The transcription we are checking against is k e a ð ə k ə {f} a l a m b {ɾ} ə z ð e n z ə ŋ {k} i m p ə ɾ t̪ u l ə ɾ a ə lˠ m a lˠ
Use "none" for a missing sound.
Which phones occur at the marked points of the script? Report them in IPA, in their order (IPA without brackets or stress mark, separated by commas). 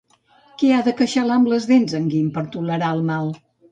ʃ, l, ɡ